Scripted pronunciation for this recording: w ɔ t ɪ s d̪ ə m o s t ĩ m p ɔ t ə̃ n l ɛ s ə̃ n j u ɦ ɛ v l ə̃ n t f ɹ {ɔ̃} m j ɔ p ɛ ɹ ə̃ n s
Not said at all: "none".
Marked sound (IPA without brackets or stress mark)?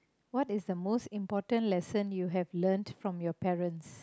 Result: ɔ̃